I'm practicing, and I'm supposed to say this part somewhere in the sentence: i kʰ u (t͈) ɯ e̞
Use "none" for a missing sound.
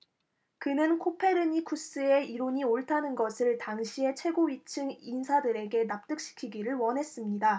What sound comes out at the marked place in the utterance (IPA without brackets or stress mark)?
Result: s͈